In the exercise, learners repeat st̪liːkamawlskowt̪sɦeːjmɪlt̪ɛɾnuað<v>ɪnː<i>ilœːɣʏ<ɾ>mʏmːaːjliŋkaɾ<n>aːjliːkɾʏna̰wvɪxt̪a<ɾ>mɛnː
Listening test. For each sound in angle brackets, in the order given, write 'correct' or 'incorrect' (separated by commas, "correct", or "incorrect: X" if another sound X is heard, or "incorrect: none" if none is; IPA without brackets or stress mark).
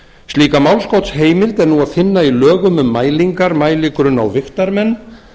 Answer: incorrect: f, incorrect: a, incorrect: none, incorrect: m, correct